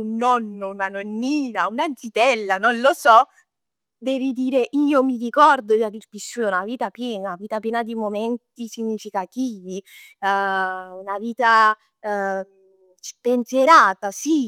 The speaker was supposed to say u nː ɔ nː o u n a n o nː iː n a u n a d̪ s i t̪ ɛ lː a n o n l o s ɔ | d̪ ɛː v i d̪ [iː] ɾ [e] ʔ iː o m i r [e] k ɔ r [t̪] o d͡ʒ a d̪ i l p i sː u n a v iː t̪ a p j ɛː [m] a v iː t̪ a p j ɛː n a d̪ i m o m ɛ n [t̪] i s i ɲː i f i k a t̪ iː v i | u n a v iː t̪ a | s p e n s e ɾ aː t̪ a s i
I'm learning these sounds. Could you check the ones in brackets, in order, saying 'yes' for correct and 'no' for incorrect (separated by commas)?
yes, yes, no, no, no, yes